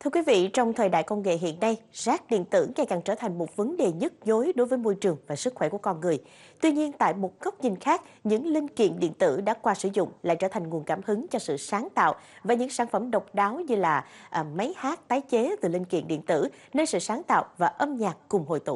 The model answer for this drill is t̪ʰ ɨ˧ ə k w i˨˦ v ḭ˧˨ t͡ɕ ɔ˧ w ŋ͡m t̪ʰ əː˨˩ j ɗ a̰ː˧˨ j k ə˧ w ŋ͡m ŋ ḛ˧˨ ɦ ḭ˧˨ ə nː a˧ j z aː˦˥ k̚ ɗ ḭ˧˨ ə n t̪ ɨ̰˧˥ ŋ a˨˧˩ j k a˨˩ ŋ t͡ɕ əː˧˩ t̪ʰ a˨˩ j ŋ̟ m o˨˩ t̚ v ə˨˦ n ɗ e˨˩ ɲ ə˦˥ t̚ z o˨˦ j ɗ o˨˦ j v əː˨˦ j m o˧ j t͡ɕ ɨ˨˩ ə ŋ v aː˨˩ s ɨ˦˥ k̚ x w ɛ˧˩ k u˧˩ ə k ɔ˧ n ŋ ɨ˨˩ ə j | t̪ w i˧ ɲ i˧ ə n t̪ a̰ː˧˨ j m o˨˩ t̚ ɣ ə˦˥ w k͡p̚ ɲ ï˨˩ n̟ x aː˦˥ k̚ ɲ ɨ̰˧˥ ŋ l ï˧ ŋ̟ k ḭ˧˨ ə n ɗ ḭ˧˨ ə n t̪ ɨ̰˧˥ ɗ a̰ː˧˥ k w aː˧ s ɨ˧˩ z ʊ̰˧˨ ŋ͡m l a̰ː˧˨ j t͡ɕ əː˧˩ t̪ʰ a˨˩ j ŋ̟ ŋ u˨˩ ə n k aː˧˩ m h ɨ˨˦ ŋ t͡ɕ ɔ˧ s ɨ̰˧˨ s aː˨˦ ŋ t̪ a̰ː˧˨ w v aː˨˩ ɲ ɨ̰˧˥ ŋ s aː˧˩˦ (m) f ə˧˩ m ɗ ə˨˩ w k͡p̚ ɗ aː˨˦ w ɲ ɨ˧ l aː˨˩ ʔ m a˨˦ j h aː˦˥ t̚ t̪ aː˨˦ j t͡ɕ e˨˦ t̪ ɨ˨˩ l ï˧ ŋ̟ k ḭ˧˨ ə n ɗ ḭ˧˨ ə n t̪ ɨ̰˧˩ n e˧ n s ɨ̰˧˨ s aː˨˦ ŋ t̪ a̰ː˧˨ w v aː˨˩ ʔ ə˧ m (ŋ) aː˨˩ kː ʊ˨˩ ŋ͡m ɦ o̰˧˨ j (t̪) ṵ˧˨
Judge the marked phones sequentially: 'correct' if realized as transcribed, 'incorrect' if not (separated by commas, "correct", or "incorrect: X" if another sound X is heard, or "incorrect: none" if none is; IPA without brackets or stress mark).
incorrect: n, incorrect: ɲ, correct